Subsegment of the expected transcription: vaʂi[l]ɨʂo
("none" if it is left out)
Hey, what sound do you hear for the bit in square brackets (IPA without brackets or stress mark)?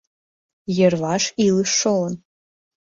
l